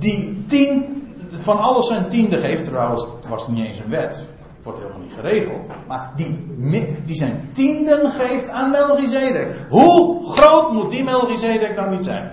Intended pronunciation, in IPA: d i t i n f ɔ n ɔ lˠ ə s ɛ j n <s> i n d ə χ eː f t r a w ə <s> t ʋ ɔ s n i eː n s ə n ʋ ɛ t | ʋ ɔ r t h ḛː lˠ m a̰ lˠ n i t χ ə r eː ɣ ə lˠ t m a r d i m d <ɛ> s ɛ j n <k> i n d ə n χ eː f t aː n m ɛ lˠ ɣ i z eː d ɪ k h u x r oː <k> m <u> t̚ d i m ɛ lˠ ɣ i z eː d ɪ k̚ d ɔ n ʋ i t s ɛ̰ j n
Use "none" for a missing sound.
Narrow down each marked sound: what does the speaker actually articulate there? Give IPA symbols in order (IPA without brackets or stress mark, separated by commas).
t, s, i, t, t, u